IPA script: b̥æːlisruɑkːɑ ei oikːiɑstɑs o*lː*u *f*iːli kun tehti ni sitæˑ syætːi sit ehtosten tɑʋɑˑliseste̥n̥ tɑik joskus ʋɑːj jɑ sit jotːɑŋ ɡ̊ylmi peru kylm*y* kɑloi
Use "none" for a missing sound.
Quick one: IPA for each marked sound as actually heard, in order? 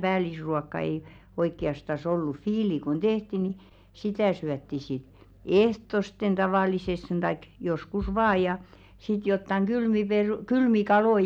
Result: lː, f, i

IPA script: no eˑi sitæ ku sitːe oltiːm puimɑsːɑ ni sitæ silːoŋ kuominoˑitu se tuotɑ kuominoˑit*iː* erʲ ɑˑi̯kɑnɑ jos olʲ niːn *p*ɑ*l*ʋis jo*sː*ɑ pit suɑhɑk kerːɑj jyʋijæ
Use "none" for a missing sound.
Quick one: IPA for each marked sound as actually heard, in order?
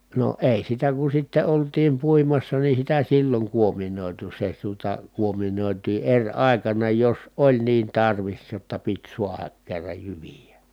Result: iː, t, r, tː

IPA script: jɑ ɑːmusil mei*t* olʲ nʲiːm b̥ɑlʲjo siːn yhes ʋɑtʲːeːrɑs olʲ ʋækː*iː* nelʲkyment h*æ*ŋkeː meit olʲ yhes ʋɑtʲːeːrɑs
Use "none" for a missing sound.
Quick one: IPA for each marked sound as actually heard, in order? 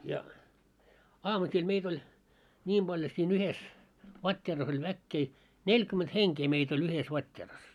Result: t, eː, e

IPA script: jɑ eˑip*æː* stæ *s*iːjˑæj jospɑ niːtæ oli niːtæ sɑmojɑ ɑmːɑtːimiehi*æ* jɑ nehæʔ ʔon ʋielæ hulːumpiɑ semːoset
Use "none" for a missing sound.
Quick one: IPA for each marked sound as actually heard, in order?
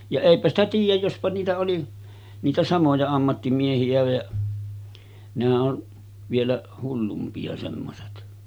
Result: æ, t, æ

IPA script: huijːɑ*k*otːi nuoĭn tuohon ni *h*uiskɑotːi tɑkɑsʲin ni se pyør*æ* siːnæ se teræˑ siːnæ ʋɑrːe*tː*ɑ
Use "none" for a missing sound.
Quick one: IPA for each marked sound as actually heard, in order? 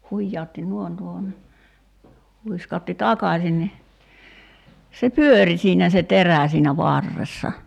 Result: none, h, i, sː

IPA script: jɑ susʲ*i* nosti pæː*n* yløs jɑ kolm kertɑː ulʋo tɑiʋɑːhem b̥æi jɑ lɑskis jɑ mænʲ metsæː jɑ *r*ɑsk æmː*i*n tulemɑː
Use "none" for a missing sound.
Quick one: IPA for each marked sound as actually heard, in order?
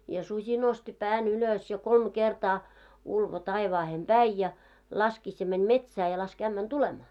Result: i, n, l, æ

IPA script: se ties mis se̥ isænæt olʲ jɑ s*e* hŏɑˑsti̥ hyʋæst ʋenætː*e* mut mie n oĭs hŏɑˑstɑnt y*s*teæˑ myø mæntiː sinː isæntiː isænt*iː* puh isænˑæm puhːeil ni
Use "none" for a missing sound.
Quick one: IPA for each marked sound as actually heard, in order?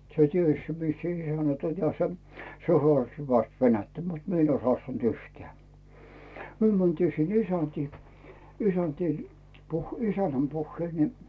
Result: e, æ, h, iː

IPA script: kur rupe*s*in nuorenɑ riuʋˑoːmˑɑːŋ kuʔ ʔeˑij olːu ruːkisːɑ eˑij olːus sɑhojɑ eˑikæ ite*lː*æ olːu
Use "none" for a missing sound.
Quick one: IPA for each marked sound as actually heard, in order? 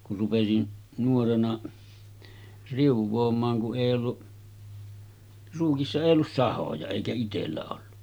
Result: s, lː

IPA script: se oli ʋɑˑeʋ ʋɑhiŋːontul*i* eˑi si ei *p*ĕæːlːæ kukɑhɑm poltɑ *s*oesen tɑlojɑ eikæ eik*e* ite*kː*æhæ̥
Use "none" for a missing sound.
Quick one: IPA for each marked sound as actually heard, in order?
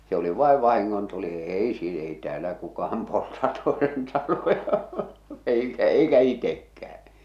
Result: i, t, t, æ, kː

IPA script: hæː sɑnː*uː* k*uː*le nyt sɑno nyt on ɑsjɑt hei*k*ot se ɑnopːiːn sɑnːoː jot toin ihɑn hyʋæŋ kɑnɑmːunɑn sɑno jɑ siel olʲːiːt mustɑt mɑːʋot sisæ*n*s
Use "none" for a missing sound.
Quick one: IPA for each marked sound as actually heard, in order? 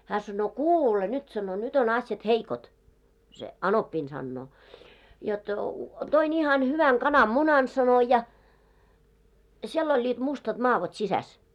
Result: oː, uː, k, none

